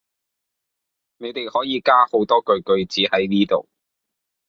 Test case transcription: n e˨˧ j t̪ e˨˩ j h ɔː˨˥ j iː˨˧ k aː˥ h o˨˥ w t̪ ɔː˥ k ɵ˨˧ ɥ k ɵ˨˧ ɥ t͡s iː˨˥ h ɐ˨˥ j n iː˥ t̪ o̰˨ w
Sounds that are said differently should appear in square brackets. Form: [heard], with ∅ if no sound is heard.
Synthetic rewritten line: n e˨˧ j t̪ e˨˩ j h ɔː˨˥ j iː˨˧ k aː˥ h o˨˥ w t̪ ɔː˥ k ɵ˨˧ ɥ k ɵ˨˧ ɥ t͡s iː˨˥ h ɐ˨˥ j n iː˥ t̪ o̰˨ w

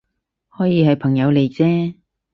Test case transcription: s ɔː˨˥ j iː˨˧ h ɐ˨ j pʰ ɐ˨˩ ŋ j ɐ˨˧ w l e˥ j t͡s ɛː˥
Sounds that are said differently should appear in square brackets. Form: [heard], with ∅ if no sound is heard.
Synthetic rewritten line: [h] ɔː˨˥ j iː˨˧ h ɐ˨ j pʰ ɐ˨˩ ŋ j ɐ˨˧ w l [e˨˩] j t͡s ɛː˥

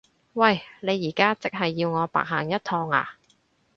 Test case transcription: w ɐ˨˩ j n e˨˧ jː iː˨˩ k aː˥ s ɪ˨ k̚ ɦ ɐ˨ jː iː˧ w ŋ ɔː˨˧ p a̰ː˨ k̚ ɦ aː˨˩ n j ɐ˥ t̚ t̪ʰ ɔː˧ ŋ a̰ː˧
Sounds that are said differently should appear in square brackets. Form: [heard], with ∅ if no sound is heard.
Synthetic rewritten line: w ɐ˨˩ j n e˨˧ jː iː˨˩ k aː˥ [t͡s] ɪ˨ k̚ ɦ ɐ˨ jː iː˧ w ŋ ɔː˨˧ p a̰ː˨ k̚ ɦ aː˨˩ [ŋ] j ɐ˥ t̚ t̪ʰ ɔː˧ ŋ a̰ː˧

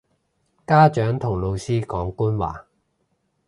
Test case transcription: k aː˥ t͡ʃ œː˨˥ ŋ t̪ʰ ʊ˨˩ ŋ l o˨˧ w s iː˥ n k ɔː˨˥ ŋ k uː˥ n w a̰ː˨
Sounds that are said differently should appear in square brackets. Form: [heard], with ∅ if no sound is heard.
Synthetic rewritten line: k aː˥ t͡ʃ œː˨˥ ŋ t̪ʰ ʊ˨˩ ŋ l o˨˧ w s iː˥ [∅] k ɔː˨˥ ŋ k uː˥ n w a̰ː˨

